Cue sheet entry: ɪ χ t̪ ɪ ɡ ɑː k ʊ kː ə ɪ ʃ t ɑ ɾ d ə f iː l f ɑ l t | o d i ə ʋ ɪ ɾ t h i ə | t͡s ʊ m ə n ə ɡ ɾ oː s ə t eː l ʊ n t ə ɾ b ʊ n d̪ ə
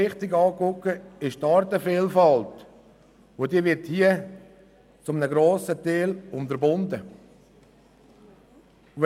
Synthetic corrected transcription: ɪ χ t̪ ɪ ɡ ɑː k ʊ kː ə ɪ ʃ t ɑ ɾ t ə f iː l f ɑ l t | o d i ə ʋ ɪ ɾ t h i ə | t͡s ʊ m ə n ə ɡ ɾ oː s ə t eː l ʊ n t ə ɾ b ʊ n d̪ ə